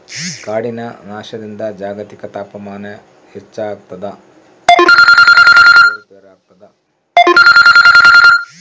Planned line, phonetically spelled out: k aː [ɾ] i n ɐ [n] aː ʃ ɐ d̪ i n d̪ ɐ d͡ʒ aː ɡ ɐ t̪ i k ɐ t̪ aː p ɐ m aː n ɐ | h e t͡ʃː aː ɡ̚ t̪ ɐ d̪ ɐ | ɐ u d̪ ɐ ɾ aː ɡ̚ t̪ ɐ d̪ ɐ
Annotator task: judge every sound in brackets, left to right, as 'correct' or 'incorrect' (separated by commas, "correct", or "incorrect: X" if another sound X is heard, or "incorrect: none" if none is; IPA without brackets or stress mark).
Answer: incorrect: ɽ, correct